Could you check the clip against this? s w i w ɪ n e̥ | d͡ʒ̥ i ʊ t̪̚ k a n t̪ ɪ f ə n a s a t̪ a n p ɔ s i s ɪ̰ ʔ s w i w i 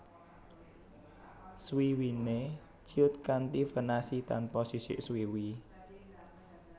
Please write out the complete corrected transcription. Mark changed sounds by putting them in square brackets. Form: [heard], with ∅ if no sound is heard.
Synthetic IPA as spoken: s w i w [i] n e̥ | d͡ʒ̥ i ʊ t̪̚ k a n t̪ [i] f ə n a s [i] t̪ a n p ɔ s i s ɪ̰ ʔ s w i w i

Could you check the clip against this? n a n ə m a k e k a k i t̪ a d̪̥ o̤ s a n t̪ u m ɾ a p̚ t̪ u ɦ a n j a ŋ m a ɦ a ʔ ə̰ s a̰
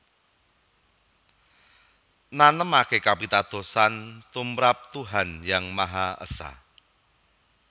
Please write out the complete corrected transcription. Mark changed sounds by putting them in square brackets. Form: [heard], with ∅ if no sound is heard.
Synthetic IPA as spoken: n a n ə m a k e k a [p] i t̪ a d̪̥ o̤ s a n t̪ u m ɾ a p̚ t̪ u ɦ a n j a ŋ m a ɦ a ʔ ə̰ s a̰

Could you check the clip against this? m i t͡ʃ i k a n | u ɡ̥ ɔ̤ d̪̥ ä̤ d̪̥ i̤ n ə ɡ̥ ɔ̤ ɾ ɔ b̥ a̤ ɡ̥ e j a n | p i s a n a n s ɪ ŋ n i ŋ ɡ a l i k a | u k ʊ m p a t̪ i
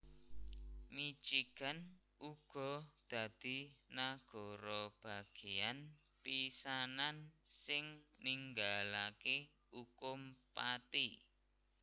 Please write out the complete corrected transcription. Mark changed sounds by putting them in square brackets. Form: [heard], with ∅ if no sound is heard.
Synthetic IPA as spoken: m i t͡ʃ i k a n | u ɡ̥ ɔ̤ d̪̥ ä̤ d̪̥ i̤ n [a] ɡ̥ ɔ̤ ɾ ɔ b̥ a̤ ɡ̥ e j a n | p i s a n a n s ɪ ŋ n i ŋ ɡ a l [a] k [e] | u k ʊ m p a t̪ i

